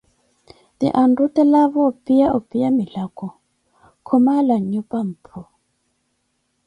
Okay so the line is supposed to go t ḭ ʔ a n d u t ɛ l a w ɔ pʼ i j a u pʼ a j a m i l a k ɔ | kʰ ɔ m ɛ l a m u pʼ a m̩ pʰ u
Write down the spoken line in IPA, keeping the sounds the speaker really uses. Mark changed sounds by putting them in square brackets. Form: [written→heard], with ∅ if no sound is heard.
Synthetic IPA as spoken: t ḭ ʔ a n d u t ɛ l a [w→β] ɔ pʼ i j a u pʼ [a→i] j a m i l a k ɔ | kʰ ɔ m [ɛ→a] l a [m→ɲ] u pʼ a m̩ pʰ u